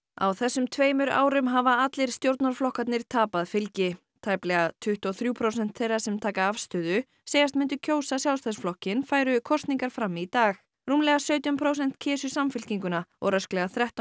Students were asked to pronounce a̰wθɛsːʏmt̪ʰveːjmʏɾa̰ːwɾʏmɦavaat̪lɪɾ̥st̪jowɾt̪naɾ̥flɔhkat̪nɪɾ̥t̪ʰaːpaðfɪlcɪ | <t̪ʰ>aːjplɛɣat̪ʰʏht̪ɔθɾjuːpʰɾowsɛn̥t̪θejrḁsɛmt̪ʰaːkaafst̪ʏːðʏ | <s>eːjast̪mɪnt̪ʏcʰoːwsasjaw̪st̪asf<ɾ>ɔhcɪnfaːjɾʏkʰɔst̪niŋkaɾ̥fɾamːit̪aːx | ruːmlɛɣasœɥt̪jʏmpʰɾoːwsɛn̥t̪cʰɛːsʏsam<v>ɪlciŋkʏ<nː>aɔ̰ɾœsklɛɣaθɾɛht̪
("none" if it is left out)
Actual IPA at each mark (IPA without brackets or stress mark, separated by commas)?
t̪ʰ, s, l, f, n